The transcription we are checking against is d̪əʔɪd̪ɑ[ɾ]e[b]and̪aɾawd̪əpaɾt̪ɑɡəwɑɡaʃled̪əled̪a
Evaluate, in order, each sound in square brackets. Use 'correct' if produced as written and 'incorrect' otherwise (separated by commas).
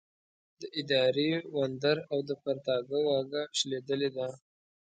correct, incorrect